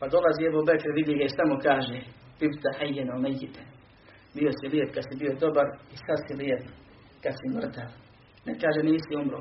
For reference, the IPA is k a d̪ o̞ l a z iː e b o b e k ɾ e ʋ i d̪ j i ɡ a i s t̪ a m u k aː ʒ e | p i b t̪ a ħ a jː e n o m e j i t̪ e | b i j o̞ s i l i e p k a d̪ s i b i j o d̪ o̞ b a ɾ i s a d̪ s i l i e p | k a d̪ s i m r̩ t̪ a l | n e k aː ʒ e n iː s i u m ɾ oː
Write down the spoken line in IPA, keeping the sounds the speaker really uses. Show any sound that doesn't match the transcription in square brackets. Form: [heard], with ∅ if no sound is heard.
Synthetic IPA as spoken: [p] a d̪ o̞ l a z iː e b o b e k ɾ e ʋ i d̪ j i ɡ a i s t̪ a m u k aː ʒ e | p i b t̪ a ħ a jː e n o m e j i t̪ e | b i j o̞ s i l i e p k a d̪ s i b i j o d̪ o̞ b a ɾ i s a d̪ s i l i e p | k a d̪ s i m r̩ t̪ a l | n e k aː ʒ e n iː s i u m ɾ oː